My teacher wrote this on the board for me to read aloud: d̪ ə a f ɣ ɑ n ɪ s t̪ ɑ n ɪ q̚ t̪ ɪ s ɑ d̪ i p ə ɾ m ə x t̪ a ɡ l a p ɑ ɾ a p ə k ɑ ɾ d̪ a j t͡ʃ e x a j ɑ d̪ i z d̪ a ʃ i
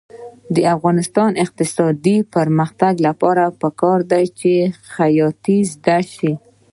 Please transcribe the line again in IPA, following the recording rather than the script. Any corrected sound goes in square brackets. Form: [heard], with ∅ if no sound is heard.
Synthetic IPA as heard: d̪ ə a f ɣ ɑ n ɪ s t̪ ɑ n ɪ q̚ t̪ ɪ s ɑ d̪ i p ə ɾ m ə x t̪ a ɡ l a p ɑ ɾ a p ə k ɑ ɾ d̪ a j t͡ʃ e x a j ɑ [t̪] i z d̪ a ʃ i